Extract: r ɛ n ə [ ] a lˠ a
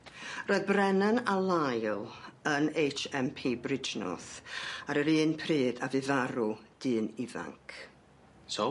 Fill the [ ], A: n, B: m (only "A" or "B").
A